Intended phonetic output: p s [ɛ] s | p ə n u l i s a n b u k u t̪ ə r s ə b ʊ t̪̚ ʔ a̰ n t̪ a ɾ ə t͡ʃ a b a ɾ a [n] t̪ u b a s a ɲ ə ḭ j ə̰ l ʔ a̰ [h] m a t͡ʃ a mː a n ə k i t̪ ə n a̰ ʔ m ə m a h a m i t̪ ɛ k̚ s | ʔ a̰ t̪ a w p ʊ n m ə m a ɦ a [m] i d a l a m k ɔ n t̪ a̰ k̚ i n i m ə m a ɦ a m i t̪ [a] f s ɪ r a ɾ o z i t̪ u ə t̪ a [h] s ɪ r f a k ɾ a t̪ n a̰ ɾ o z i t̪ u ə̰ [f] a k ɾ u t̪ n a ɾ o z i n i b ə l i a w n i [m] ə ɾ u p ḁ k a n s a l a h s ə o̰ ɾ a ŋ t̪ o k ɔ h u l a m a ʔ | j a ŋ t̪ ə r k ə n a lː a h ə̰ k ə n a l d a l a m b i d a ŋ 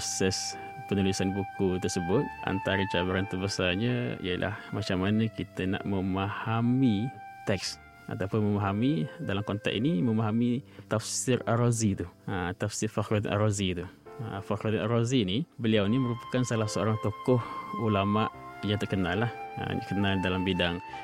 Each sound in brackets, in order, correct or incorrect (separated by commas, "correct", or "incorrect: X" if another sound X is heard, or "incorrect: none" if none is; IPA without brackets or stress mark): correct, correct, correct, correct, correct, incorrect: f, correct, correct